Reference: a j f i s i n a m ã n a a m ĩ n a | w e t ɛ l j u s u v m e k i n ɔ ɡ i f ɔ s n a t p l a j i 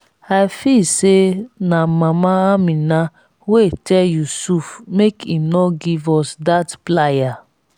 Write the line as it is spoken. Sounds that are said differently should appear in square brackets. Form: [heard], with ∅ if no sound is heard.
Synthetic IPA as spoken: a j f i s [e] n a m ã [m] a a m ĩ n a | w e t ɛ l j u s u [f] m e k i n ɔ ɡ i [v] ɔ s [d] a t p l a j [a]